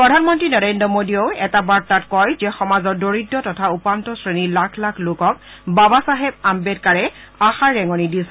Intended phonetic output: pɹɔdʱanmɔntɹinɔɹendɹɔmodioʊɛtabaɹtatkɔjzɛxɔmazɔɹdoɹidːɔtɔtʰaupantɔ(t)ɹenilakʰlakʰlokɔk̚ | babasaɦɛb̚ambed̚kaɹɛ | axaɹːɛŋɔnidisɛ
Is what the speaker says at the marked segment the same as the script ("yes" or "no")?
no